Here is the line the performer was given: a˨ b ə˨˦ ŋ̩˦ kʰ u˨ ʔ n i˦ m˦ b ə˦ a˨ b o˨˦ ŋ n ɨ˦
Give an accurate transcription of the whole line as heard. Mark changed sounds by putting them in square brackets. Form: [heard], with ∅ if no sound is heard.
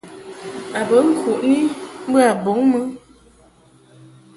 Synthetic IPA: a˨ b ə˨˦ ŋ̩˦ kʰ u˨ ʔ n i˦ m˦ b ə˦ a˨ b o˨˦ ŋ [m] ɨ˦